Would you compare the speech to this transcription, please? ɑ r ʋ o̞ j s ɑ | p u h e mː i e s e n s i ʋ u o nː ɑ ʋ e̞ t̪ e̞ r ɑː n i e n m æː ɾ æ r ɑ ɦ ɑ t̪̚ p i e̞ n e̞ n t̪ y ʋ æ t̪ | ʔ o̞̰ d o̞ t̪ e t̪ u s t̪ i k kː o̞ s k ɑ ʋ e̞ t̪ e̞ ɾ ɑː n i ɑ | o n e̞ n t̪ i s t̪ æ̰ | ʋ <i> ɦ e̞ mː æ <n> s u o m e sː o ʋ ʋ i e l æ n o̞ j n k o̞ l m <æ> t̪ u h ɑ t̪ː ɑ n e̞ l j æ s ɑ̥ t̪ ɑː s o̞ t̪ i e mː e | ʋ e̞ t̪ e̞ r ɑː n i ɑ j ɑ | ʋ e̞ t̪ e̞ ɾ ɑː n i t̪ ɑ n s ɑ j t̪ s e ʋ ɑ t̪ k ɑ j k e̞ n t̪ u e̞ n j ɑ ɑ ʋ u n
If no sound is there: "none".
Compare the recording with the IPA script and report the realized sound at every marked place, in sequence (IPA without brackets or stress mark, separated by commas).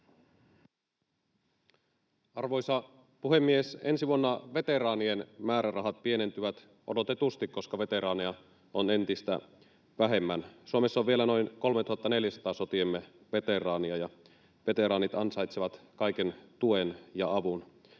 æ, n, e